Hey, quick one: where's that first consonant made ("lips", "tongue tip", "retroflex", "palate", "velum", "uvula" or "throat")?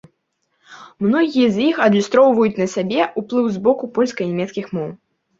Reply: lips